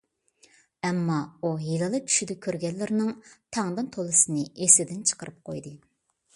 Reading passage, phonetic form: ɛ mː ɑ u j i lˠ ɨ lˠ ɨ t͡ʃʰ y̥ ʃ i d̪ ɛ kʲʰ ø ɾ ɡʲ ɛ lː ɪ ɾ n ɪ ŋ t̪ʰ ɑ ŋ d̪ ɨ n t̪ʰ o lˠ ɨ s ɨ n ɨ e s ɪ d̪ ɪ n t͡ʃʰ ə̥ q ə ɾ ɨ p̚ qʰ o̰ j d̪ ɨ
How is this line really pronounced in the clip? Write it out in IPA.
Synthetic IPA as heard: ɛ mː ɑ u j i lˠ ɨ lˠ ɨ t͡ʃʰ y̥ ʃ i d̪ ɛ kʲʰ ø ɾ ɡʲ ɛ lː ɪ ɾ n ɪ ŋ t̪ʰ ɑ ŋ d̪ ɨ n t̪ʰ o lˠ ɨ s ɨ n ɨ e s ɪ d̪ ɪ n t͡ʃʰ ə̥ q ə ɾ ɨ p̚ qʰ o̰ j d̪ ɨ